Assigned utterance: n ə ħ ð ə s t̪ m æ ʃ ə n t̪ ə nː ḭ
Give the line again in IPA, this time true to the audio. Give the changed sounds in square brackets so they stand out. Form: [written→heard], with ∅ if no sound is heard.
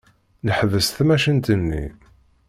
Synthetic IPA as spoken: n ə ħ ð ə s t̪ m æ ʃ ə n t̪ ə nː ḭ